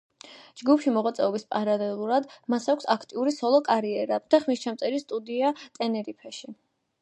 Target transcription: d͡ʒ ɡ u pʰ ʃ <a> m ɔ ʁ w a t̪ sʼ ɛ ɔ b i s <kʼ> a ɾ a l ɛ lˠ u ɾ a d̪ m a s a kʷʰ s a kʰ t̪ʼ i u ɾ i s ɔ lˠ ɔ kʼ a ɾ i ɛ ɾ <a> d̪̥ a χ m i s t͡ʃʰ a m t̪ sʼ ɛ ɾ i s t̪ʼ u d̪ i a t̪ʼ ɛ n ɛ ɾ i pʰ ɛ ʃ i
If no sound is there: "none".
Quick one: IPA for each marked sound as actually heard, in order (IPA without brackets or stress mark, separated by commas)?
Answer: i, pʼ, a